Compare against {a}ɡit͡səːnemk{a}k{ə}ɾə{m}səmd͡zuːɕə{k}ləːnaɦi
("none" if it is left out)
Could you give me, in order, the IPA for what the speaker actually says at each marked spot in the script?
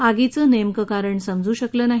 a, ə, a, ɳ, k

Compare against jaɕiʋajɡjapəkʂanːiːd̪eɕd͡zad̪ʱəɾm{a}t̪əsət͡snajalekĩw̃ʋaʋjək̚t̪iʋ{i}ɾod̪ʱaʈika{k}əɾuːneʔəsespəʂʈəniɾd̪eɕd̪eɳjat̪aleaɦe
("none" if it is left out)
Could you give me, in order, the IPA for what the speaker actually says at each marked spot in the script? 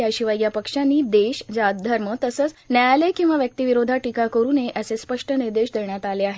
ə, i, k

